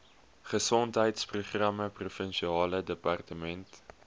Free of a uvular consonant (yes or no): no